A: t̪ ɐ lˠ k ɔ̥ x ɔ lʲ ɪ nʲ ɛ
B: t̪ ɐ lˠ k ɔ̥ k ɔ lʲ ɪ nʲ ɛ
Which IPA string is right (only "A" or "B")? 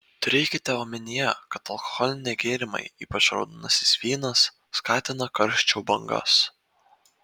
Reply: A